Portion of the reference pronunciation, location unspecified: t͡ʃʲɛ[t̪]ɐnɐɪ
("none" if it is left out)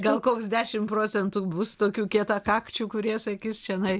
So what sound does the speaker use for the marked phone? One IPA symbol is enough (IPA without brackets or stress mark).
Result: none